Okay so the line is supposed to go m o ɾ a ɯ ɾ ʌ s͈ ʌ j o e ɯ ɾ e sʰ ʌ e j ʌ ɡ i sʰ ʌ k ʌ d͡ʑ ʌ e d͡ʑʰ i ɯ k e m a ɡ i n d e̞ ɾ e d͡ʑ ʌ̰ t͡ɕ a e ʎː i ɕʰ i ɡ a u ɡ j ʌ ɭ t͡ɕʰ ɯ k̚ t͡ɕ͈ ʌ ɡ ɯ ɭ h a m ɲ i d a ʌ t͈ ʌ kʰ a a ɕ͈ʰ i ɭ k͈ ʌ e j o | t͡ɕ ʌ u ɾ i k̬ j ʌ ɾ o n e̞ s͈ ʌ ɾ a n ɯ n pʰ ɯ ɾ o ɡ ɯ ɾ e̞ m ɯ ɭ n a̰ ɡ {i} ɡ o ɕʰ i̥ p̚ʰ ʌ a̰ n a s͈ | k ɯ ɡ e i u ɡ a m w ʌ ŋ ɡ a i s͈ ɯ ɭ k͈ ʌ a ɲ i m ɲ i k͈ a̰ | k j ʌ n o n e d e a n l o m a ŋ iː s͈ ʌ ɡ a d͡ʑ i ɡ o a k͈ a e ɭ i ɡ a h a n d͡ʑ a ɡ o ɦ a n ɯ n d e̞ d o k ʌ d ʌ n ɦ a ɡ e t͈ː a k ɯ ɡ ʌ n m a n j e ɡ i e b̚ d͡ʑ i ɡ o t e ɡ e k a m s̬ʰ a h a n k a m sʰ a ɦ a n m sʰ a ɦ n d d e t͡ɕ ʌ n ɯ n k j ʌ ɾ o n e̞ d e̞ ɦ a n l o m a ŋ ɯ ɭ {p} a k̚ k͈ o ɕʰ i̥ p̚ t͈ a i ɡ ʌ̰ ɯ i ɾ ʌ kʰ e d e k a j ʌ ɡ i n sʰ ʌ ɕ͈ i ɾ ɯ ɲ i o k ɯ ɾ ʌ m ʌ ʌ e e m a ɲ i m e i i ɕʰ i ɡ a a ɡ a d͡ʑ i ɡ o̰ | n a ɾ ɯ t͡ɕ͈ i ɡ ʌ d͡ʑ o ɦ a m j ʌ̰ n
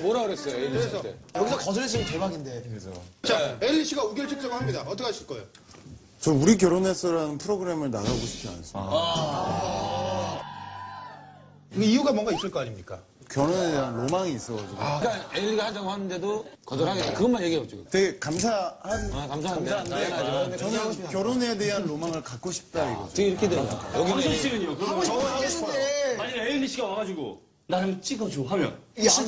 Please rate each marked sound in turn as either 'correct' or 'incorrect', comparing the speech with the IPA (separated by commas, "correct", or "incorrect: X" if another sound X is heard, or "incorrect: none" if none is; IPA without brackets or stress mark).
incorrect: a, incorrect: k